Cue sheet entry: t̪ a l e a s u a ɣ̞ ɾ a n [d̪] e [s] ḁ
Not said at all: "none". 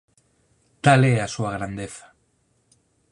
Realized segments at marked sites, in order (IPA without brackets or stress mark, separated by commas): d̪, θ